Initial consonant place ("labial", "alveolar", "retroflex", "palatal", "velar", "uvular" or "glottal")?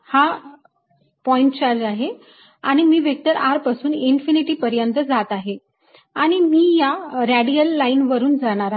glottal